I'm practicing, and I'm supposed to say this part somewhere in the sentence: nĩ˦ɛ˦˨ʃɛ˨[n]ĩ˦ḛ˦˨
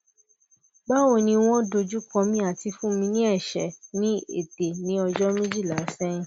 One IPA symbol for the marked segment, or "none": n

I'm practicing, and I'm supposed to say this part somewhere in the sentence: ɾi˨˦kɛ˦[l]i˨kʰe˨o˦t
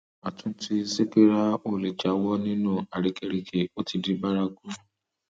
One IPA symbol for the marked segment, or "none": ɾ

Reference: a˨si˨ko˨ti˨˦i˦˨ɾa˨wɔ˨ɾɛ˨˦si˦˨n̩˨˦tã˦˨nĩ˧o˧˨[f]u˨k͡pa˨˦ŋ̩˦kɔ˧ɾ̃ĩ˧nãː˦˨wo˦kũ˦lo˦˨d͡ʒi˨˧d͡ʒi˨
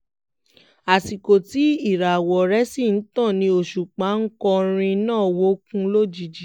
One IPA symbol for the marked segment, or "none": ʃ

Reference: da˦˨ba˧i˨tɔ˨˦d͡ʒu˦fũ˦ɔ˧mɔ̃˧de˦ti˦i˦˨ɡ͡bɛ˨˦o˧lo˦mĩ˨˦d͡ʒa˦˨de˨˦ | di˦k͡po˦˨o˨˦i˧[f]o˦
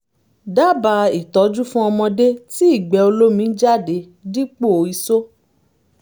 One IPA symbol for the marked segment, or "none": s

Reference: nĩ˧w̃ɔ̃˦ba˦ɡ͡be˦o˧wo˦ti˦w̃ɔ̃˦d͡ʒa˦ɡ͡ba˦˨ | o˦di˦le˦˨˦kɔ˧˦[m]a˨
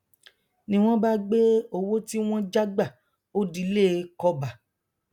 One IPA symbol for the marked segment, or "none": b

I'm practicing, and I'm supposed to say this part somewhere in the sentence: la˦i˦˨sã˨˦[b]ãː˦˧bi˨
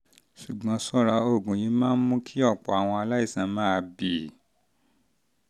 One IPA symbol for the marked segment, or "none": m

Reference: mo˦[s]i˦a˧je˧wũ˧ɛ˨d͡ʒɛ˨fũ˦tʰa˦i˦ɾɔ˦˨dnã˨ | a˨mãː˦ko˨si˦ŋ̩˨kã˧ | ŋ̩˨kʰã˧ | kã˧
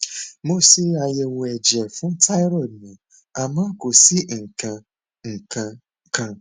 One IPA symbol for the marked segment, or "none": s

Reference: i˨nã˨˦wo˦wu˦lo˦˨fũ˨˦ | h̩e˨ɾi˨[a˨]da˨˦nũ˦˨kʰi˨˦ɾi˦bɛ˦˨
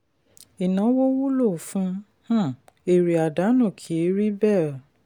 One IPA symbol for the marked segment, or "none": a˨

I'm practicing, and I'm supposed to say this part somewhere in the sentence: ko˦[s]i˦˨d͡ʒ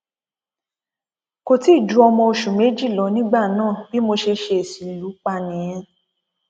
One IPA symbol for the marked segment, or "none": t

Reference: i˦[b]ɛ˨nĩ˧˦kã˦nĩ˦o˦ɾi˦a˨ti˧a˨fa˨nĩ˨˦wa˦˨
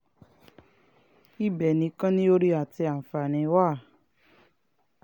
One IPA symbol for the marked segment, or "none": b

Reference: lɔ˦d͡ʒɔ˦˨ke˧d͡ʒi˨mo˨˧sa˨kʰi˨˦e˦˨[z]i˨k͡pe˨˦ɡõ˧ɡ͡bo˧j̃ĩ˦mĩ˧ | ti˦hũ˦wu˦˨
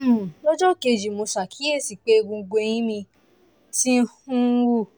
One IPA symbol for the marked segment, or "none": s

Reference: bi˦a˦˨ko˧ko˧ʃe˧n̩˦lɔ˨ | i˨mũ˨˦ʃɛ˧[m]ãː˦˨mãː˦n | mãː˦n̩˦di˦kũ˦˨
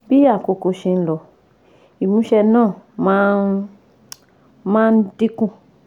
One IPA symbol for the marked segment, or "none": n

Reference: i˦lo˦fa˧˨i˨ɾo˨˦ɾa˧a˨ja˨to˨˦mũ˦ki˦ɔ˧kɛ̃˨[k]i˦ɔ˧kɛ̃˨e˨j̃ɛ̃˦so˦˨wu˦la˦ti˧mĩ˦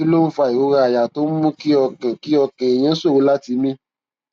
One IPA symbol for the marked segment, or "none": k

